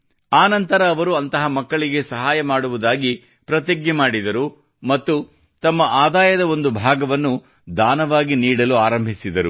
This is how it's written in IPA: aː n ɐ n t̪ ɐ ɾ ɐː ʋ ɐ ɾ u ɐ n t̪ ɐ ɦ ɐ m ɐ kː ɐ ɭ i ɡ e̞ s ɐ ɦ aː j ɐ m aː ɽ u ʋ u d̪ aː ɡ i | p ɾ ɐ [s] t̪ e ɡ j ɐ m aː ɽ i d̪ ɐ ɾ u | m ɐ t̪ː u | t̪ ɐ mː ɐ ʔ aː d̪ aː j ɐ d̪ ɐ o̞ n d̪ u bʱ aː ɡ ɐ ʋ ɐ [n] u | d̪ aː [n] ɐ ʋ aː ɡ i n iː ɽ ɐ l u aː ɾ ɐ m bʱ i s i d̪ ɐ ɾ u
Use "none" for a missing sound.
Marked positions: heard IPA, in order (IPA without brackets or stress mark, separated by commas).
none, nː, n